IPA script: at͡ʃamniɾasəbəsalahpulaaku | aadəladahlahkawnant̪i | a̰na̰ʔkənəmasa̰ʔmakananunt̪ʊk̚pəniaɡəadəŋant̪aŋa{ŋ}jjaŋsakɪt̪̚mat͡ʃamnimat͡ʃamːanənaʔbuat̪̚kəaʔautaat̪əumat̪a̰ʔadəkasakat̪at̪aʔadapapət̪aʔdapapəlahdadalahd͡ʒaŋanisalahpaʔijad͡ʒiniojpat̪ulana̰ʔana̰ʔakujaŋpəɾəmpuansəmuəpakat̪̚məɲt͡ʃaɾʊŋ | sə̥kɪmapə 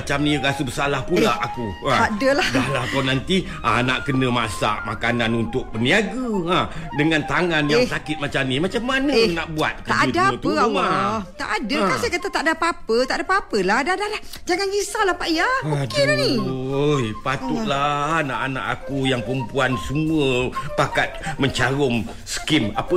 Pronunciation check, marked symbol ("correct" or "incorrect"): incorrect